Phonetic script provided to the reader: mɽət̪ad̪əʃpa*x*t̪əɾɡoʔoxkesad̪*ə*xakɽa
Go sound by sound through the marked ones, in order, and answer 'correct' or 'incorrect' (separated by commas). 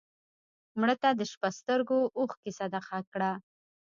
incorrect, incorrect